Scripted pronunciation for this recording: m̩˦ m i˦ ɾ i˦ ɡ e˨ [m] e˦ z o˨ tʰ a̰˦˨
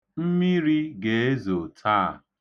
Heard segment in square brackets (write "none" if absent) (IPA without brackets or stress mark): none